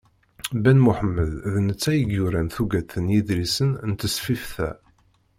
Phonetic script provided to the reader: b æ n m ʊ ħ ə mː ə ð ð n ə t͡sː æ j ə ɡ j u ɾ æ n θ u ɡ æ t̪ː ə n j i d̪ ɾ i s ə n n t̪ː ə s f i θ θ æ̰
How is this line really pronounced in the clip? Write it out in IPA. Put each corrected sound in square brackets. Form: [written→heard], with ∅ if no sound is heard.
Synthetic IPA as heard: b æ n m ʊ ħ ə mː ə ð ð n ə t͡sː æ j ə ɡ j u ɾ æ n θ u ɡ æ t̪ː ə n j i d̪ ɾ i s ə n n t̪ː ə s f i [θ→f] θ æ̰